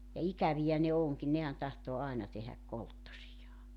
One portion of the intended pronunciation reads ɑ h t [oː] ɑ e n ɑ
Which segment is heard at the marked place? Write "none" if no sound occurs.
oː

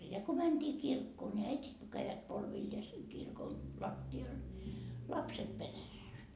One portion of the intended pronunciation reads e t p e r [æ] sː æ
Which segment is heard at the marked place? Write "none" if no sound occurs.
æ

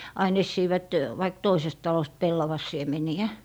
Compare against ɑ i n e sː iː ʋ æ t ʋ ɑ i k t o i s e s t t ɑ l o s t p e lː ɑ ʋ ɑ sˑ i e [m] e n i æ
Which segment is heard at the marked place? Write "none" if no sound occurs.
m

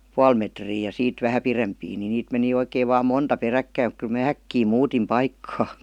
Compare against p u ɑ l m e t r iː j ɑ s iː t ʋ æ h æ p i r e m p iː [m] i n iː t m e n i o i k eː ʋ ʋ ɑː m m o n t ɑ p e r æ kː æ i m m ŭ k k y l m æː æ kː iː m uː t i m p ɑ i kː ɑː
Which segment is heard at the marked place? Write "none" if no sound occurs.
n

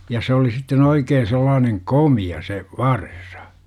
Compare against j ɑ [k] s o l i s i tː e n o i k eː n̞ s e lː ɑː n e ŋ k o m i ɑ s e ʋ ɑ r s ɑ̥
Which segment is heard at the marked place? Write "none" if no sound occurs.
none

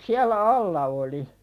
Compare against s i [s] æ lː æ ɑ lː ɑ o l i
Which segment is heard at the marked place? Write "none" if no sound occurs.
none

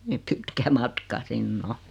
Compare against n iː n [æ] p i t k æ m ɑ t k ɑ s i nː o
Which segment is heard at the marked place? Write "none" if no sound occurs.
i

